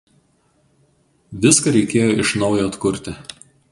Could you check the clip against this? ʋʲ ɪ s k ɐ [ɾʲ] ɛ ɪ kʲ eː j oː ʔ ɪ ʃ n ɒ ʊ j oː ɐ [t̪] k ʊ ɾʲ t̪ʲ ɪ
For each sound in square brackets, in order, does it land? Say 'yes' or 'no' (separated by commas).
yes, yes